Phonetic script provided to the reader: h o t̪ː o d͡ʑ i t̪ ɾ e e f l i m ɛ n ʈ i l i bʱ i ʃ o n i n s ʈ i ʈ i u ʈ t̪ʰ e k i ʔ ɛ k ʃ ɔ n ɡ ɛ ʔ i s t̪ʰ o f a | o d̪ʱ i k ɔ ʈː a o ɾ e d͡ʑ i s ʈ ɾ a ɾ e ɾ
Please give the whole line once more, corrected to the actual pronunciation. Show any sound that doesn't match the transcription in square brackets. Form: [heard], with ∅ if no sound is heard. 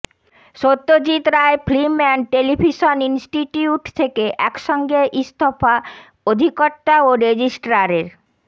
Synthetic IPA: [ʃ] o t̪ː o d͡ʑ i t̪ ɾ [a] e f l i m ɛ n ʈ [e] l i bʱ i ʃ o n i n s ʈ i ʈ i u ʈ t̪ʰ e k [e] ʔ ɛ k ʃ ɔ [ŋ] ɡ [e] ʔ i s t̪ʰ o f a | o d̪ʱ i k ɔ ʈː a o ɾ e d͡ʑ i s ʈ ɾ a ɾ e ɾ